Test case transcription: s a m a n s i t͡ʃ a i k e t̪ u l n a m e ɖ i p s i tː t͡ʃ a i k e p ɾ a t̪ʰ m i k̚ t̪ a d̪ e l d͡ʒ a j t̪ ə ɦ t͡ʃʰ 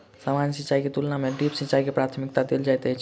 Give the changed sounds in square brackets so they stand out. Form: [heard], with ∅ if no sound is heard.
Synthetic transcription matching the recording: s a m a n s i t͡ʃ a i k e t̪ u l n a m e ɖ i p s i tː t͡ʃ a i k e p ɾ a t̪ʰ m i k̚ t̪ a d̪ e l d͡ʒ a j t̪ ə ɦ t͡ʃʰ